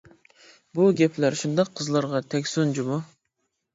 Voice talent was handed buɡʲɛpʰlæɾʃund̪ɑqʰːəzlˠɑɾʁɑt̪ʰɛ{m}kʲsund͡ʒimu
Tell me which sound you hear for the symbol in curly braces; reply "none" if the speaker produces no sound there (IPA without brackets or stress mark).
none